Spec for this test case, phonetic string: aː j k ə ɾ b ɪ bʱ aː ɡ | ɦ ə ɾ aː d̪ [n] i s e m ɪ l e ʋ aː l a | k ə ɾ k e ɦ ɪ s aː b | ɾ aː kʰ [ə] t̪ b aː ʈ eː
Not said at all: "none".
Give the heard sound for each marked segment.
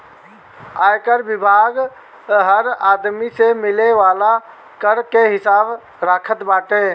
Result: m, ə

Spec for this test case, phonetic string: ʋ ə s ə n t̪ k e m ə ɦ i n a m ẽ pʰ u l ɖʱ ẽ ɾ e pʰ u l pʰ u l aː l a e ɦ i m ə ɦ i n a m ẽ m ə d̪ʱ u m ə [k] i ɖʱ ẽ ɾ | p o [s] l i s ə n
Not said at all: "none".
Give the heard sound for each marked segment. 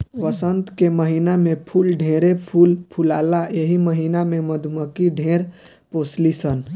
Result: k, s

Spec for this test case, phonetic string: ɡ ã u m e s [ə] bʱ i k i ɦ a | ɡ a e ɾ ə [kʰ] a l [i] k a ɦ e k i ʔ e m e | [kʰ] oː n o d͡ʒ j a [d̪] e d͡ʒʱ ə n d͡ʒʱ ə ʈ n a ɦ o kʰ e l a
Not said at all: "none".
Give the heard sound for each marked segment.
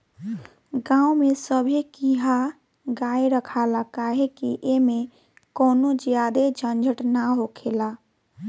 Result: ə, kʰ, a, k, d̪

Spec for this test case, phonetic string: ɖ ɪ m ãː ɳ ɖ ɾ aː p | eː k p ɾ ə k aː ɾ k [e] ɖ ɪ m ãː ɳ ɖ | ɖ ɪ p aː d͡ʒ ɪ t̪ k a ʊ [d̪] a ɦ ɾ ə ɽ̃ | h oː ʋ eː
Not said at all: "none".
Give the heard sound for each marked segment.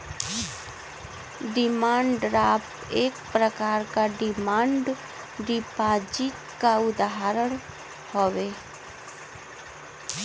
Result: a, d̪

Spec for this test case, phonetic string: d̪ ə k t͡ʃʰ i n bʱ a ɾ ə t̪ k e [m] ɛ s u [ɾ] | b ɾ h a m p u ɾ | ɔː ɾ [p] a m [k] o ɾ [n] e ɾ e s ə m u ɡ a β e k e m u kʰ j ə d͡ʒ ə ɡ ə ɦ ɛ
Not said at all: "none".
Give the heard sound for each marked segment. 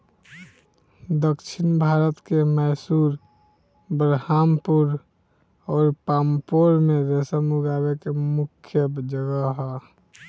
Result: m, ɾ, p, p, m

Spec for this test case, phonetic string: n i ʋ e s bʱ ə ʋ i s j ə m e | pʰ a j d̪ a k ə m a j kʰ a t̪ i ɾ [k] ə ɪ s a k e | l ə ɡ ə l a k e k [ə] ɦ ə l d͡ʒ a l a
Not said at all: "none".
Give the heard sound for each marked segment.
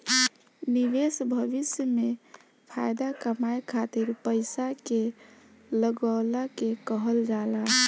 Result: p, ə

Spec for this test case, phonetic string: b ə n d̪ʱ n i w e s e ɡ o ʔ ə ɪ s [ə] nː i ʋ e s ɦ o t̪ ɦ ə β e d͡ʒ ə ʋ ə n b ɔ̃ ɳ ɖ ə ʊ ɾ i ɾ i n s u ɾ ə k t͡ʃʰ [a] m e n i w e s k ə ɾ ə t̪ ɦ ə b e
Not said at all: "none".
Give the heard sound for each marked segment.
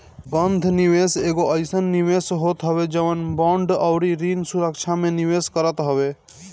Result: ə, a

